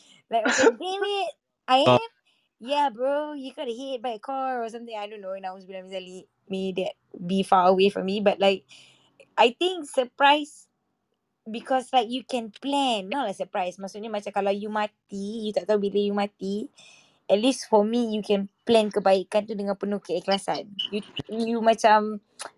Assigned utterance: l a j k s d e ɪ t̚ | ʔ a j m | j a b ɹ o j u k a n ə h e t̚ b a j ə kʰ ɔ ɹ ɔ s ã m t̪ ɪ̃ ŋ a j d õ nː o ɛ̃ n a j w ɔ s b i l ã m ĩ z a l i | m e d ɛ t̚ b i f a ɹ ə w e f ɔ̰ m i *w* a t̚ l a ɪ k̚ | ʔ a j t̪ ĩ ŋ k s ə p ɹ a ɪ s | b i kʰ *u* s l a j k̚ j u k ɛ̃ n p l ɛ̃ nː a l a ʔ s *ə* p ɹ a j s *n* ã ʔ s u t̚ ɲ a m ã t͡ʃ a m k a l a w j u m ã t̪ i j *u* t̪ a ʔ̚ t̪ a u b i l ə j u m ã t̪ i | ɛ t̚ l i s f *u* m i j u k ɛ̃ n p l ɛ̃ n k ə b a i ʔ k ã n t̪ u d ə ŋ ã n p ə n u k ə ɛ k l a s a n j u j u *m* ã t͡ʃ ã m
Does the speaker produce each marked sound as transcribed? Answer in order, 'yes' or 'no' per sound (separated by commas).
no, no, yes, no, yes, no, yes